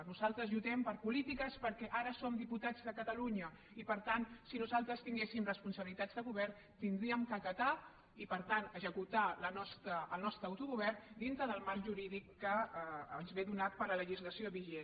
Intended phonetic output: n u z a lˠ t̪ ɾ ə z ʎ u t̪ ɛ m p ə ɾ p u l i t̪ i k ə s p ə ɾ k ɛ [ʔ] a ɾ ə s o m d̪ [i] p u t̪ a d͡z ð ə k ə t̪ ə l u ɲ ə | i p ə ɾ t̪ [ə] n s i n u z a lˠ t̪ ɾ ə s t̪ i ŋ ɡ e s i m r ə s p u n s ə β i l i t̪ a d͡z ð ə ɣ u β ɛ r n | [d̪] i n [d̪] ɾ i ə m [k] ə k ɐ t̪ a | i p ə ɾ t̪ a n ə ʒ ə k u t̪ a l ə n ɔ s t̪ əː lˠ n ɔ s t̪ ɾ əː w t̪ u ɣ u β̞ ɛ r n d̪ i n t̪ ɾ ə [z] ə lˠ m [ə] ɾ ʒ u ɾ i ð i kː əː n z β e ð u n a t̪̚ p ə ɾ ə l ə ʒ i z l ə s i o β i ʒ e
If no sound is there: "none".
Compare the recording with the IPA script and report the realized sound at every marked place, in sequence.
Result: ʔ, i, a, t̪, d̪, k, ð, a

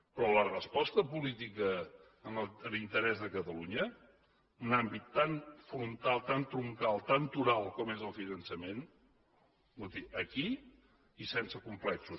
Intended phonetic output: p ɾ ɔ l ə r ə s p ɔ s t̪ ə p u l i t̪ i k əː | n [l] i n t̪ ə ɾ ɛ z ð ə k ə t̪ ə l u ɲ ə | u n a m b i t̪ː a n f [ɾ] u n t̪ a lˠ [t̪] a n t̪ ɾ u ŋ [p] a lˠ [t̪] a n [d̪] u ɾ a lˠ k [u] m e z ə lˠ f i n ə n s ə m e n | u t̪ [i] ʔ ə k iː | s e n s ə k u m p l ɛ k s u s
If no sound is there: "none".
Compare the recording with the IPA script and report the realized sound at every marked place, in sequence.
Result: l, ɾ, t̪, k, t̪, t̪, ɔ, i

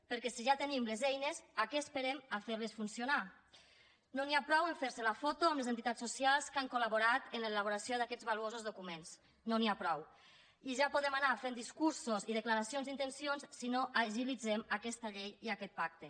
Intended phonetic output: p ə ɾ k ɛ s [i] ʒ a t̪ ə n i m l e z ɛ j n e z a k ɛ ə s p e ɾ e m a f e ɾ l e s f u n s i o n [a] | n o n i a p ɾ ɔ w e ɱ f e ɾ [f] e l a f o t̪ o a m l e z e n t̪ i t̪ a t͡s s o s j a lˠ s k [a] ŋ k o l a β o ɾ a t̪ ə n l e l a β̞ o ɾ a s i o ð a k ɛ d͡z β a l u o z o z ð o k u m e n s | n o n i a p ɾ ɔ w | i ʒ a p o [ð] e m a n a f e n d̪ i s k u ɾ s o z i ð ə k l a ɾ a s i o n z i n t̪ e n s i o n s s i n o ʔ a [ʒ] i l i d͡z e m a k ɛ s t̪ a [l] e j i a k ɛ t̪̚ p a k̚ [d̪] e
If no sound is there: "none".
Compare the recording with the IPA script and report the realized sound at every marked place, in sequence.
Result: i, a, s, a, ð, ʒ, ʎ, t̪

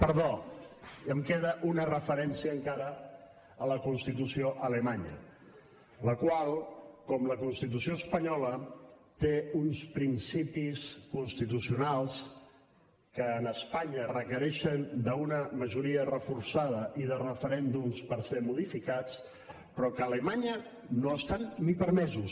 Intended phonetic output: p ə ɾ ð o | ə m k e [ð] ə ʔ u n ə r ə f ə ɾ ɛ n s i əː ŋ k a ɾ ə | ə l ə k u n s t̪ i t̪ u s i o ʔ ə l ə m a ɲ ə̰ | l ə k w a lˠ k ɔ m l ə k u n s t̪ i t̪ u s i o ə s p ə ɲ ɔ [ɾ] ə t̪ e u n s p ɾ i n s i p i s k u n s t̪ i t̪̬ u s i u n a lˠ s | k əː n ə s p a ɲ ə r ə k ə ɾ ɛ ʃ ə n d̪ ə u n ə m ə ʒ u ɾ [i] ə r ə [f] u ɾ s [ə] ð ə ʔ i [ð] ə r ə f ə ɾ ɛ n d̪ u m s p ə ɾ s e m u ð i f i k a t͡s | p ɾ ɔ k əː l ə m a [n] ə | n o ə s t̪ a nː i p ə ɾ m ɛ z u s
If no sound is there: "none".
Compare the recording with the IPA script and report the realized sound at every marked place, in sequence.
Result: ð, l, i, f, a, ð, ɲ

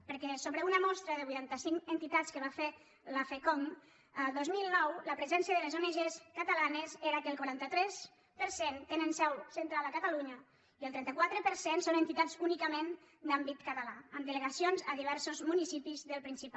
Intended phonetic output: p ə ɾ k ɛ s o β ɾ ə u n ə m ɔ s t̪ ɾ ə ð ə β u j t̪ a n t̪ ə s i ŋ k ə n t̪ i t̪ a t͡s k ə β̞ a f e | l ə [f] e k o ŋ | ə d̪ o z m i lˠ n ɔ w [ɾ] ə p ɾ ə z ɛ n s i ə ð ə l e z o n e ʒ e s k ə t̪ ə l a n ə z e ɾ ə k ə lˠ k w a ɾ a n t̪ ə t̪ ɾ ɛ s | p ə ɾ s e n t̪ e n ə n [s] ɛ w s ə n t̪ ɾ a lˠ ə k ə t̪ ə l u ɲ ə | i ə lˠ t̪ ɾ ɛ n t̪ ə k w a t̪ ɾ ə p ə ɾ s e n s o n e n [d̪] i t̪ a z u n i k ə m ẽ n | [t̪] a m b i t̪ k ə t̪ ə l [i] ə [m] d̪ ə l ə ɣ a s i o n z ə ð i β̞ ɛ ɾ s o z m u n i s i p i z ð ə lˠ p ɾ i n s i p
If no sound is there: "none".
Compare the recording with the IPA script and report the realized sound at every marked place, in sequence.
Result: f, l, s, t̪, d̪, a, m

